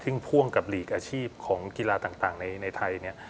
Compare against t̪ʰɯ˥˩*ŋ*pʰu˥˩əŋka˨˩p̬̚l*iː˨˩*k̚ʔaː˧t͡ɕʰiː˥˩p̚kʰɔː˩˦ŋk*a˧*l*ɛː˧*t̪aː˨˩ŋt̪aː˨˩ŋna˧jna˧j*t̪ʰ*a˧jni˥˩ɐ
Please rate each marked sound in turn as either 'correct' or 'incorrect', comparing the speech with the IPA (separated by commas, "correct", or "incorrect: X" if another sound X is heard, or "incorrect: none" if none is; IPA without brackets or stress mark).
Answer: correct, correct, incorrect: i˧, incorrect: aː˧, correct